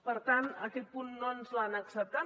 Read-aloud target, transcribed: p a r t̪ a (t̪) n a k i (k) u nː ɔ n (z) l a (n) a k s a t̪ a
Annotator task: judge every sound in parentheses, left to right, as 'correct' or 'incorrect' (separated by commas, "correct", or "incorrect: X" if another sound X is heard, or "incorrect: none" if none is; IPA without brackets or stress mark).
incorrect: none, incorrect: p, incorrect: s, correct